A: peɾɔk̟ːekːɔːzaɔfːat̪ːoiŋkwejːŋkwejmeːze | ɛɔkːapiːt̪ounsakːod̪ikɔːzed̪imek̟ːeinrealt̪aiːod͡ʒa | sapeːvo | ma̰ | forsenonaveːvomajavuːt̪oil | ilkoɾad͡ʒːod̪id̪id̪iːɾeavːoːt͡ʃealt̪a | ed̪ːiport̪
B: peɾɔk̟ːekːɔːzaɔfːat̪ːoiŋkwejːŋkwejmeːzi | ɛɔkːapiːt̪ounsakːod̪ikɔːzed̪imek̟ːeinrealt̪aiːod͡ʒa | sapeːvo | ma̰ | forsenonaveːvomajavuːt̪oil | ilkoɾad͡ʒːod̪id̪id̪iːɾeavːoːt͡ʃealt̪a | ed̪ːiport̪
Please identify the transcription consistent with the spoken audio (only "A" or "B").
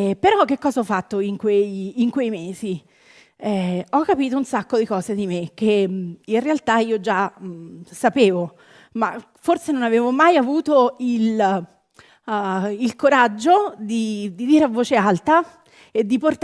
B